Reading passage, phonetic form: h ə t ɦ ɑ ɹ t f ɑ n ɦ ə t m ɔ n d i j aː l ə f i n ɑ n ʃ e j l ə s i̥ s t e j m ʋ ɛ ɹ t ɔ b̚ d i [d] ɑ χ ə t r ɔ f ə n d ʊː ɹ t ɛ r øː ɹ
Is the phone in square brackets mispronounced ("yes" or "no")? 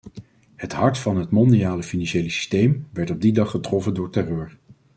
no